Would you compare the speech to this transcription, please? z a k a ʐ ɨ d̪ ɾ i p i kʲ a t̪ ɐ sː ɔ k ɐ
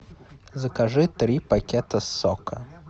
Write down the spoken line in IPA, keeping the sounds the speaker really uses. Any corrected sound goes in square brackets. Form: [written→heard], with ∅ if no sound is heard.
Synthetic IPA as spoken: z [a→ɐ] k a ʐ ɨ [d̪→t̪] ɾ i p [i→a] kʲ [a→ɛ] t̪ ɐ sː ɔ k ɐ